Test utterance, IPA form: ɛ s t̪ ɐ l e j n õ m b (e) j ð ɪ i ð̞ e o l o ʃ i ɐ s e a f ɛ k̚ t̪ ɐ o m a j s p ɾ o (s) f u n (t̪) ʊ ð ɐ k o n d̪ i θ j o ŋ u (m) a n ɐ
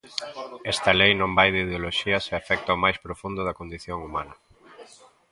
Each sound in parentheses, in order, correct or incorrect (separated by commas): incorrect, incorrect, incorrect, correct